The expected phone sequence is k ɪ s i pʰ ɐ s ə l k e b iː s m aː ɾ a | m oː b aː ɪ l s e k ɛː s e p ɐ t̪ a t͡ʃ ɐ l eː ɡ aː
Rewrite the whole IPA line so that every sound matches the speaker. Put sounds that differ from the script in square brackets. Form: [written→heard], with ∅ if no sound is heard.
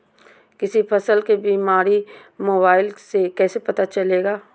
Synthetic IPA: k ɪ s i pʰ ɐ s ə l k e b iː [s→∅] m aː ɾ [a→i] | m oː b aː ɪ l s e k ɛː s e p ɐ t̪ a t͡ʃ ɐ l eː ɡ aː